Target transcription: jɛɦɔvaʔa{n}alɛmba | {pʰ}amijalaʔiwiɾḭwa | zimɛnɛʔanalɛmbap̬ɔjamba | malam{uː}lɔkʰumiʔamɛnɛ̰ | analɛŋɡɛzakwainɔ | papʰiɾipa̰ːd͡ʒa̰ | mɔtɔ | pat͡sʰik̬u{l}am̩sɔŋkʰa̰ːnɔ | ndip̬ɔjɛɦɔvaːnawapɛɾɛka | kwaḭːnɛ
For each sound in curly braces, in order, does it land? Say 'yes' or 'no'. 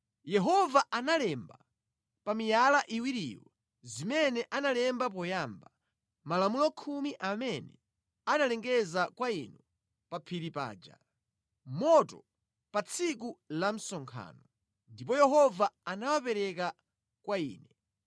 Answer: yes, no, no, yes

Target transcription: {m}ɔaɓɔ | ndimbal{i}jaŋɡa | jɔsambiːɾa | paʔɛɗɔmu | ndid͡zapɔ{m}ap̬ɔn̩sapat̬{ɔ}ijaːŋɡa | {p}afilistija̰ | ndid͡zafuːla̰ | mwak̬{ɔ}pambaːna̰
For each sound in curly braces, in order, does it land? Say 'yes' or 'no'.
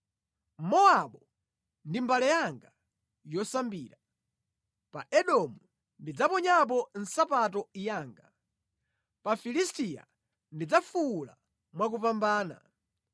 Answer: yes, no, no, yes, yes, no

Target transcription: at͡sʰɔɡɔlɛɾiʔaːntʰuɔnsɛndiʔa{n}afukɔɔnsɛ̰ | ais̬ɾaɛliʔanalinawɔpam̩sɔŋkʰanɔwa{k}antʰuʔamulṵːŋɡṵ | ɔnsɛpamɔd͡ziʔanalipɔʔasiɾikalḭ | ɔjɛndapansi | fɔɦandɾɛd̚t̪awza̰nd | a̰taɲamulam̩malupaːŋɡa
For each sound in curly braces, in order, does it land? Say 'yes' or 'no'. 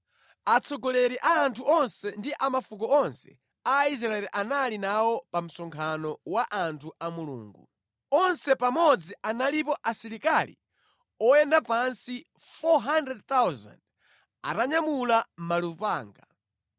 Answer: no, no

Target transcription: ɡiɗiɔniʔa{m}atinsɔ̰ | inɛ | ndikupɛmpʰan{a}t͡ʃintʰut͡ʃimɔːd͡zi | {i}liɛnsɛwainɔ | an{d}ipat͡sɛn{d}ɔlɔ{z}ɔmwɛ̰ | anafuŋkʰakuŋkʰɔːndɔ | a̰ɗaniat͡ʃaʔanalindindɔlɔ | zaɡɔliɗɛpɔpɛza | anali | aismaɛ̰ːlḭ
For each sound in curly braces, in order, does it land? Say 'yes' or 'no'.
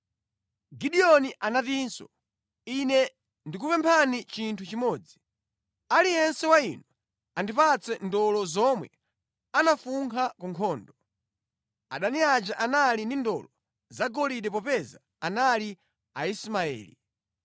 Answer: no, no, no, yes, yes, yes

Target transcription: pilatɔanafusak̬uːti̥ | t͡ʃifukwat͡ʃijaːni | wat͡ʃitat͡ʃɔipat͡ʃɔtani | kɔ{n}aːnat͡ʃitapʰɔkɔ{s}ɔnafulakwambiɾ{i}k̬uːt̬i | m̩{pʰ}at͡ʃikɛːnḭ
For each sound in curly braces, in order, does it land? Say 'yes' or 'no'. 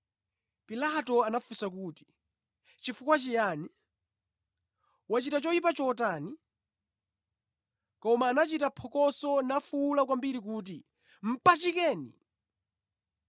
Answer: no, yes, yes, no

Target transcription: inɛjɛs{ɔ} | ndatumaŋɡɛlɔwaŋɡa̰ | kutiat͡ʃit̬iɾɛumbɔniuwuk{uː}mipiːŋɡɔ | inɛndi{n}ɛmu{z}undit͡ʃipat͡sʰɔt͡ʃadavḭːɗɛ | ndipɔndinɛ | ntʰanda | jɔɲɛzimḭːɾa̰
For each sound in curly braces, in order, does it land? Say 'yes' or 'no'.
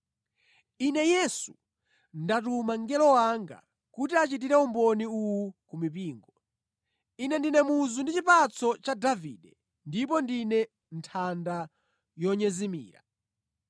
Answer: no, no, yes, yes

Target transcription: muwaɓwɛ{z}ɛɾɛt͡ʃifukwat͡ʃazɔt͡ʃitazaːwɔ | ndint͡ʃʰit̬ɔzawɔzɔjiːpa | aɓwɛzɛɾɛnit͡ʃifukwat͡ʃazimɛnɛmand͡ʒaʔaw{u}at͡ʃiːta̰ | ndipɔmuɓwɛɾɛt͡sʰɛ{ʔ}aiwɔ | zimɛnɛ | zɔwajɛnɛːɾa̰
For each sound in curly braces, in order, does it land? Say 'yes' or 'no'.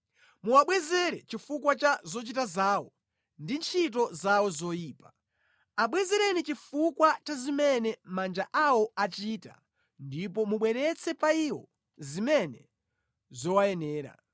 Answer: yes, no, no

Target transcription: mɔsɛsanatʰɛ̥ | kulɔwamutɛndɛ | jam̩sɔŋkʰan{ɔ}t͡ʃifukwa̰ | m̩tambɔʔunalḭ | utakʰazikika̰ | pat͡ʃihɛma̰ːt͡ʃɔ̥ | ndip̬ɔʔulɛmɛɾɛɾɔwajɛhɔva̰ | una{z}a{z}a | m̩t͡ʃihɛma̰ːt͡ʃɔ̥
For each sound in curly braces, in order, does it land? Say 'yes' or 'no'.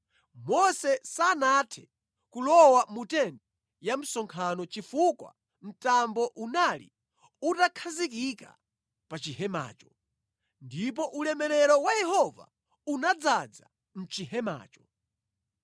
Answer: yes, no, no

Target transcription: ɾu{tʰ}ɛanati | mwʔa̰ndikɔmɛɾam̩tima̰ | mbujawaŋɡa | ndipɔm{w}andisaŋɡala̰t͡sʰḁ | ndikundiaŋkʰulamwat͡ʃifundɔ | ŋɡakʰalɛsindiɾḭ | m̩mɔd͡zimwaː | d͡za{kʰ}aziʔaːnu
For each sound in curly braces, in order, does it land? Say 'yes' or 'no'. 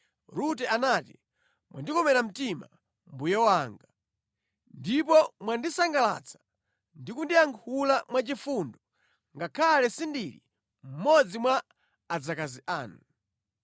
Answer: no, yes, no

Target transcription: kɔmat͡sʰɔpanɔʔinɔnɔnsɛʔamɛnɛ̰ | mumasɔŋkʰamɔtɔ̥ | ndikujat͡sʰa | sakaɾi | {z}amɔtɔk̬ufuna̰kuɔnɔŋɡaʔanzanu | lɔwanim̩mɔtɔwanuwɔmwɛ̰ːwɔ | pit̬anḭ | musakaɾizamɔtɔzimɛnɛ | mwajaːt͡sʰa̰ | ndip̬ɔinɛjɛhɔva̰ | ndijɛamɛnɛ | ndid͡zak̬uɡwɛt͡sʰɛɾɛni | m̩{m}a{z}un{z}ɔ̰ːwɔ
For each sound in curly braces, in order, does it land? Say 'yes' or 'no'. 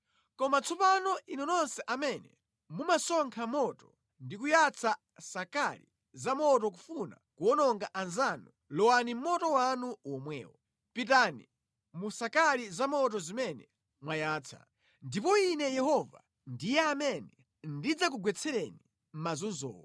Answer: yes, yes, yes, yes

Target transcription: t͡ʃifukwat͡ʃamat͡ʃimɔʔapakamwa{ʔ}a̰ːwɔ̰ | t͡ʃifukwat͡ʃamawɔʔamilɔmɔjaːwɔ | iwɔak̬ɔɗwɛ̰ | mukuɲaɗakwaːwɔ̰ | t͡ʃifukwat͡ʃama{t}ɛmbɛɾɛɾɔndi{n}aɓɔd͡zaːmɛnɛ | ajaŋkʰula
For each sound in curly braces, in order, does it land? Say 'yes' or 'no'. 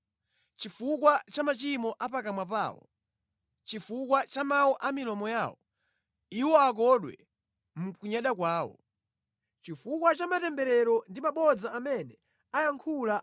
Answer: no, yes, no

